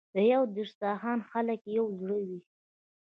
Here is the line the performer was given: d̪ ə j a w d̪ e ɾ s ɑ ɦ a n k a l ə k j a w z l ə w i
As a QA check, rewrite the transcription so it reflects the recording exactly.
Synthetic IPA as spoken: d̪ ə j a w d̪ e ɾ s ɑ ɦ ɑ n x a l ə k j a w z ɽ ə w i